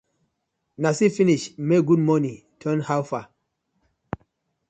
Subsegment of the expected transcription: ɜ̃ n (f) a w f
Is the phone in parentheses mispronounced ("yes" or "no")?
yes